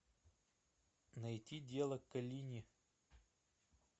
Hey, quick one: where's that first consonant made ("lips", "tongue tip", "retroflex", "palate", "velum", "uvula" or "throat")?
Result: tongue tip